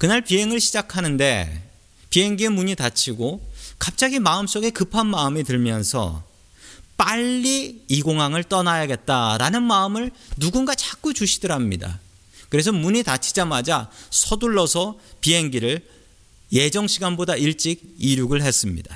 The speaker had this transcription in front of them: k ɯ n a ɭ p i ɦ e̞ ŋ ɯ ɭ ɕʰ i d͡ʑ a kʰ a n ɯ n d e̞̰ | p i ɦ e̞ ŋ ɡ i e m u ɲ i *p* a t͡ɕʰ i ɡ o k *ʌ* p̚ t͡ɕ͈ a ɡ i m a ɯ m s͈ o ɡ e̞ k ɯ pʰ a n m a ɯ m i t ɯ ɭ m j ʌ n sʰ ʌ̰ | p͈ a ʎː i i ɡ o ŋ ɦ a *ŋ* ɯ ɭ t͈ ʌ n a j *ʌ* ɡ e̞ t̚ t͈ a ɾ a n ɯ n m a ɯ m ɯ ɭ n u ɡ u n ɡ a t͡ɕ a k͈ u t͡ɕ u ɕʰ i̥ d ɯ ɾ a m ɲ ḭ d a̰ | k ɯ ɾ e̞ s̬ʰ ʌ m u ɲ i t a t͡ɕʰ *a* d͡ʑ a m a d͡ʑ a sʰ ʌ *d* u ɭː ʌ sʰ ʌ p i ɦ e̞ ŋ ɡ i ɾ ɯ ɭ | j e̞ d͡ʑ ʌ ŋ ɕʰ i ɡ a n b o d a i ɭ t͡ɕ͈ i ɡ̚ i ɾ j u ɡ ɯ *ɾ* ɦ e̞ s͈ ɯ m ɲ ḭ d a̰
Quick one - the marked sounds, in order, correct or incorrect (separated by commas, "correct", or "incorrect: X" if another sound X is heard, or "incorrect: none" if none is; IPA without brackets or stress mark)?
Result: incorrect: t, incorrect: a, correct, incorrect: a, incorrect: i, correct, incorrect: ɭ